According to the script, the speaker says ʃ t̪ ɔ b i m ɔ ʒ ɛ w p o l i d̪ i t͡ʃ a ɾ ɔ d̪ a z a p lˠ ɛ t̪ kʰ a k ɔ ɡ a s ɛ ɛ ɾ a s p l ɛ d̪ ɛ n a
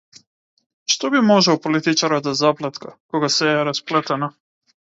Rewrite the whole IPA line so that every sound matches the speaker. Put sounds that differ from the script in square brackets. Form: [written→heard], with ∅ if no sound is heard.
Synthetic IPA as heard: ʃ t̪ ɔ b i m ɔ ʒ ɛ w p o l i [d̪→t̪] i t͡ʃ a ɾ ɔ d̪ a z a p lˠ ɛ t̪ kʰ a k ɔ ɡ a s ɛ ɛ ɾ a s p l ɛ [d̪→t̪] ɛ n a